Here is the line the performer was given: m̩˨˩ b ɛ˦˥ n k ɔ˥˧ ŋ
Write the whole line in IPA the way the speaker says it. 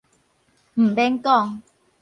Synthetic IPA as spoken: m̩˨˩ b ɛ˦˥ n k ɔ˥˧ ŋ